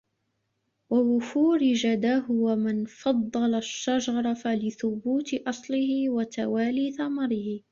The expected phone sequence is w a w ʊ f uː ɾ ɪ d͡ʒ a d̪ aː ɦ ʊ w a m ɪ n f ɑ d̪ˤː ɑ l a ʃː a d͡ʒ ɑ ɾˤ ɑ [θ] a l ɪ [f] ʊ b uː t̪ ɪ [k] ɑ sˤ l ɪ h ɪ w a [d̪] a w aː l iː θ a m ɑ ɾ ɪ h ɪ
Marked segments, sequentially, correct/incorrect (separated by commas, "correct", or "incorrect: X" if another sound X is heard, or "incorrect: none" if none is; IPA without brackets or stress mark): incorrect: f, incorrect: θ, incorrect: ʔ, incorrect: t̪